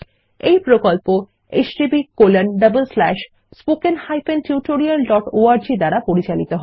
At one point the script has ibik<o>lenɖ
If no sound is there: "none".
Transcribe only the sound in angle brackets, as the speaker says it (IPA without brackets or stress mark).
o